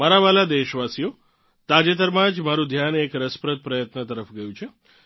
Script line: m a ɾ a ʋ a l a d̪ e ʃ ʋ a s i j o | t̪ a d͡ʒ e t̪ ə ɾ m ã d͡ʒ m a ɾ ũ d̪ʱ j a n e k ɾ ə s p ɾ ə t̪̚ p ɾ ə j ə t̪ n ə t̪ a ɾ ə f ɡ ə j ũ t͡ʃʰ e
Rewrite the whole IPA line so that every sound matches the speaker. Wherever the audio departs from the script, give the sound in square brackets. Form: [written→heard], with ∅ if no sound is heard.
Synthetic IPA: m a ɾ a ʋ a l a d̪ e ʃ ʋ a s i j o | t̪ a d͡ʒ e t̪ ə ɾ m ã d͡ʒ m a ɾ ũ d̪ʱ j a n e k ɾ ə s p ɾ ə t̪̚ p ɾ ə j ə t̪ n ə t̪ [a→ə] ɾ ə f ɡ ə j ũ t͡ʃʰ e